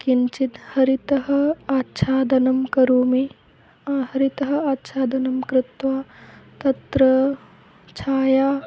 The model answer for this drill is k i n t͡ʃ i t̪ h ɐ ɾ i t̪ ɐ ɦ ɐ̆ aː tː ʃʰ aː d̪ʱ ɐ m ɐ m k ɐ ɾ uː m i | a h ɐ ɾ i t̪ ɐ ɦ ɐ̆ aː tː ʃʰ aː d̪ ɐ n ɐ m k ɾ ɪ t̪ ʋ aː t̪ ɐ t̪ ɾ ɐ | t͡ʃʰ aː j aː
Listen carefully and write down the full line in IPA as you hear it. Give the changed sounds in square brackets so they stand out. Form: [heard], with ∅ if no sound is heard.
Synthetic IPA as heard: k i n t͡ʃ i t̪ h ɐ ɾ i t̪ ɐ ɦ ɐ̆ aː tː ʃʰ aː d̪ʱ ɐ [n] ɐ m k ɐ ɾ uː m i | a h ɐ ɾ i t̪ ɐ ɦ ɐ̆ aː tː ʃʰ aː d̪ ɐ n ɐ m k ɾ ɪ t̪ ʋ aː t̪ ɐ t̪ ɾ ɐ | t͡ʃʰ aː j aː